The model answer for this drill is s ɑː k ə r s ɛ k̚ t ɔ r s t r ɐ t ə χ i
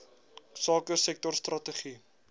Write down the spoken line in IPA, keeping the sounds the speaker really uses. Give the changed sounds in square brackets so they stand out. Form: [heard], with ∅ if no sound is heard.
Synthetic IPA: s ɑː k ə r s ɛ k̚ t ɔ r s t r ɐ t ə χ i